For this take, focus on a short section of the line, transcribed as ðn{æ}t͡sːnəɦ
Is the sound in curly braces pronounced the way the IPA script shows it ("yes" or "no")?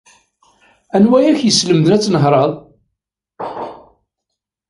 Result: yes